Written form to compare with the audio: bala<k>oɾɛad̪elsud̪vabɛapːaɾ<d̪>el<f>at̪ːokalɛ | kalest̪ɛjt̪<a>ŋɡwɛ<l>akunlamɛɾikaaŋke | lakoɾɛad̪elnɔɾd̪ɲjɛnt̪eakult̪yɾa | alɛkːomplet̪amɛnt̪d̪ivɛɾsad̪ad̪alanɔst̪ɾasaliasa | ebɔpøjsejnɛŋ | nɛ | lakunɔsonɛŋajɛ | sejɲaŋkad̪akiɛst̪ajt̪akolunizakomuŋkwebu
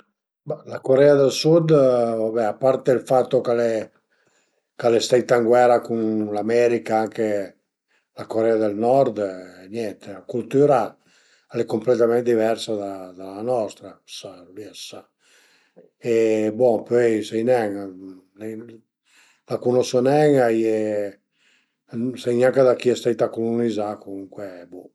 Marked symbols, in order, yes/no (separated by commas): yes, no, yes, yes, no